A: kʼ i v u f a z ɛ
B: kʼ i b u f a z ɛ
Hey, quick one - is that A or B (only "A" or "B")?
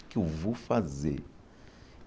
A